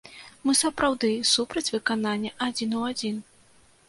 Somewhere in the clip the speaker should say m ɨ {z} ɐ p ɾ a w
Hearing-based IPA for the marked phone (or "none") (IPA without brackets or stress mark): s